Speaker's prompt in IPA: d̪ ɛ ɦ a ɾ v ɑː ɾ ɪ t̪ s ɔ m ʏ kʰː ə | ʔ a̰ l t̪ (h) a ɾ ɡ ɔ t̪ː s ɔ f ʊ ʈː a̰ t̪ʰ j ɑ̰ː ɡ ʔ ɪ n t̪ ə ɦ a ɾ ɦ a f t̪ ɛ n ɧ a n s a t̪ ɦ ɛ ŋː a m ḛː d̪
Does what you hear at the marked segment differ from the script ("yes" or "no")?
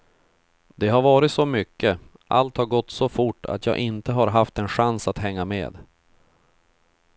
no